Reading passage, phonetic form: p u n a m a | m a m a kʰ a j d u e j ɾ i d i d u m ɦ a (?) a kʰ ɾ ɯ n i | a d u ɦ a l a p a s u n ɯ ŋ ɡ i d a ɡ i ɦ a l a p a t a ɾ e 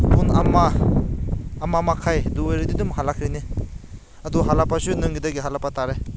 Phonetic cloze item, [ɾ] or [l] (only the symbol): l